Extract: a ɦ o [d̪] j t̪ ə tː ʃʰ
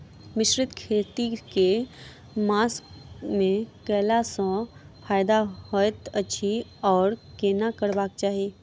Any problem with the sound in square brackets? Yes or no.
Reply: yes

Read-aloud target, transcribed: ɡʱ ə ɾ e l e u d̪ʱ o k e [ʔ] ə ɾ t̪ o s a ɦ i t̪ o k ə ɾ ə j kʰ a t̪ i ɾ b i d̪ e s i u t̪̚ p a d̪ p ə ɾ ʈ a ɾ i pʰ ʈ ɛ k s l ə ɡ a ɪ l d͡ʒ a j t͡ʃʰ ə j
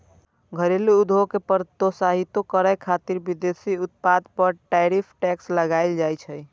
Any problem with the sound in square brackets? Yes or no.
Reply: yes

